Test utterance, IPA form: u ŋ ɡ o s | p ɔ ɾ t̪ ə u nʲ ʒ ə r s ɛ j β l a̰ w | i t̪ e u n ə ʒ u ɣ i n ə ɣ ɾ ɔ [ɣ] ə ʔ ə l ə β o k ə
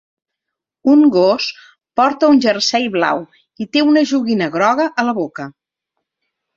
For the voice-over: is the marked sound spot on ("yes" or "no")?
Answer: yes